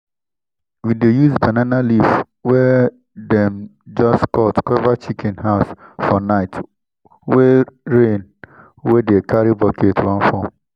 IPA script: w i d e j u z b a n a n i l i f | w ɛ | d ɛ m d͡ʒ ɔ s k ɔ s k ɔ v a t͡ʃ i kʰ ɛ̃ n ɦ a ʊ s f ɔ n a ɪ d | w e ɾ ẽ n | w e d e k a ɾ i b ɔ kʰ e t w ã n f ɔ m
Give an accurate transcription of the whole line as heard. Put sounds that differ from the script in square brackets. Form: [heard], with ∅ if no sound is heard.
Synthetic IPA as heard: w i d e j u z b a n a n [a] l i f | w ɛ | d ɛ m d͡ʒ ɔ s k ɔ [t] k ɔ v a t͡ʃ i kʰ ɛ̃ n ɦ a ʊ s f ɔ n a ɪ [t] | w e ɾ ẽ n | w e d e k a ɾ i b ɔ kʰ e t w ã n f ɔ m

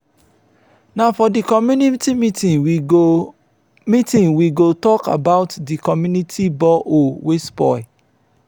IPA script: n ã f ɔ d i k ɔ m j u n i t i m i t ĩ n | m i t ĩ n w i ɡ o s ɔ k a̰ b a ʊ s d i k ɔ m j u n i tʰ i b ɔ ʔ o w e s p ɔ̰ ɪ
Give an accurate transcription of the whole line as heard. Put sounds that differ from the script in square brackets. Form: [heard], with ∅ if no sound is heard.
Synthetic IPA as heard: n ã f ɔ d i k ɔ m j u n i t i m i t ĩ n | m i t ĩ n w i ɡ o [t] ɔ k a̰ b a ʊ [t] d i k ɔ m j u n i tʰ i b ɔ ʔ o w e s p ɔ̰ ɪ

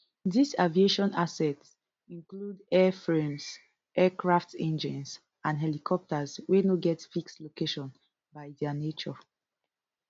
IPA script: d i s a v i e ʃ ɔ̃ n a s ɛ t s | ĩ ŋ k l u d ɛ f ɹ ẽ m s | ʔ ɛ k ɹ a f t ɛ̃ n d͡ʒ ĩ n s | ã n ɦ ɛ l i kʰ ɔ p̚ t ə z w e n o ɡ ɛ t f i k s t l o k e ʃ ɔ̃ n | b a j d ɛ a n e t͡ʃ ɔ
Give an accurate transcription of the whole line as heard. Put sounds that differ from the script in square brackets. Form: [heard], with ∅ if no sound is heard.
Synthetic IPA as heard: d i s a v i e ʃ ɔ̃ n a s ɛ t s | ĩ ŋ k l u d ɛ f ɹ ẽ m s | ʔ ɛ k ɹ a f t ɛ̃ n d͡ʒ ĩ n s | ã n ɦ ɛ l i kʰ ɔ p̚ t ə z w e n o ɡ ɛ t f i k s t l o k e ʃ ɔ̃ n | b a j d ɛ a n e t͡ʃ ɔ

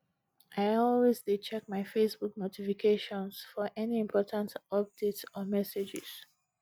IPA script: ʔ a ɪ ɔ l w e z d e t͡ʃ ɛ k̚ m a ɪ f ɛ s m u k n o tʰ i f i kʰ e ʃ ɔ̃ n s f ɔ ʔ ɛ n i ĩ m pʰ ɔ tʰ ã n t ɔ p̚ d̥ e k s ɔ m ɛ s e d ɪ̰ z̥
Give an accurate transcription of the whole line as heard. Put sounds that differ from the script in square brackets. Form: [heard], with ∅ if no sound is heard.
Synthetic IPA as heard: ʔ a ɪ ɔ l w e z d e t͡ʃ ɛ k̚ m a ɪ f [e] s [b] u k n o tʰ i f i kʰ e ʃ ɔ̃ n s f ɔ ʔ ɛ n i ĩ m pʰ ɔ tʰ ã n t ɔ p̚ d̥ e [t] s ɔ m ɛ s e [d͡ʒ] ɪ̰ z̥

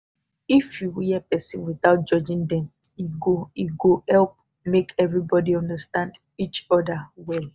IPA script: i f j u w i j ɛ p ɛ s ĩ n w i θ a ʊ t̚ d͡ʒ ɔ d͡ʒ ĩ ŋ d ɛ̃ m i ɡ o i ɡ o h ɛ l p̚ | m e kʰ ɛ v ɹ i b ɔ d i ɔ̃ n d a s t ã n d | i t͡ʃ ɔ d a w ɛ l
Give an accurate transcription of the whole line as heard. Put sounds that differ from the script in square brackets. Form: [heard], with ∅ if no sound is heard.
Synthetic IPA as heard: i f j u w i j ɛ p ɛ s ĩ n w i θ a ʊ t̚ d͡ʒ ɔ d͡ʒ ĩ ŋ d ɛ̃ m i ɡ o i ɡ o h ɛ l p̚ | m e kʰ ɛ v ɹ i b ɔ d i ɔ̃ n d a s t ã n d | i t͡ʃ ɔ d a w ɛ l

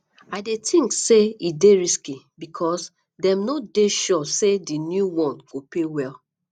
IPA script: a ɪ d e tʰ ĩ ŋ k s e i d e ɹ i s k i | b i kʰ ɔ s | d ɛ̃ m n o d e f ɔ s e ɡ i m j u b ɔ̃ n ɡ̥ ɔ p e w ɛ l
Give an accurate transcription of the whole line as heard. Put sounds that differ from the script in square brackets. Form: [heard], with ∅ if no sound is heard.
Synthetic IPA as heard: a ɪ d e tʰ ĩ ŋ k s e i d e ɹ i s k i | b i kʰ ɔ s | d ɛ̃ m n o d e [ʃ] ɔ s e [d] i [n] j u [w] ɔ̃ n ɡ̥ [o] p e w ɛ l

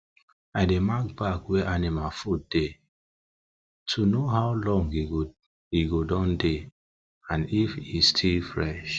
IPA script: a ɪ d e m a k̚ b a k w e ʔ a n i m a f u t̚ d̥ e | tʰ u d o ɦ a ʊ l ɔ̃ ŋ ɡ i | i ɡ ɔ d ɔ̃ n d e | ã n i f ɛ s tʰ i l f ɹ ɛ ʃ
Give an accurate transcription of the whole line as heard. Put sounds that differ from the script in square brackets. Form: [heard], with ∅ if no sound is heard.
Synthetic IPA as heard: a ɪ d e m a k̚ b a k w e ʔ a n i m a f u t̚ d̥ e | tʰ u [n] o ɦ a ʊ l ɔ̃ ŋ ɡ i | i ɡ [o] d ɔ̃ n d e | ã n i f [i] s tʰ i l f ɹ ɛ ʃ

